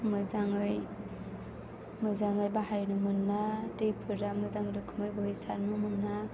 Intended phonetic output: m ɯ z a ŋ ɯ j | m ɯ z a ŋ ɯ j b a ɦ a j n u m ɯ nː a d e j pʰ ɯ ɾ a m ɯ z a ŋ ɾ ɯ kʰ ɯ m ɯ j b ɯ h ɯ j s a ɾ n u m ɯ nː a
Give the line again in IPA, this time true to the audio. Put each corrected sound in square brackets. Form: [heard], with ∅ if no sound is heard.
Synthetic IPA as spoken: m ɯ z a ŋ ɯ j | m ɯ z a ŋ ɯ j b a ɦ a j n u m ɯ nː a d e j pʰ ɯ ɾ a m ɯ z a ŋ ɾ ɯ kʰ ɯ m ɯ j b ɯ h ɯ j s a ɾ n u m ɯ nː a